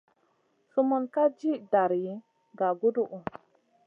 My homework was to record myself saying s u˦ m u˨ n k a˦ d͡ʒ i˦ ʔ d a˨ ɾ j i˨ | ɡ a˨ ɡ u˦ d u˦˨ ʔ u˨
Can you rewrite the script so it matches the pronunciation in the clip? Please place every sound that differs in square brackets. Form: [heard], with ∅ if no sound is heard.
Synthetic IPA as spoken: s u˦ m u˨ n k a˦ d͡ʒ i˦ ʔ d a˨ ɾ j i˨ | ɡ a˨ ɡ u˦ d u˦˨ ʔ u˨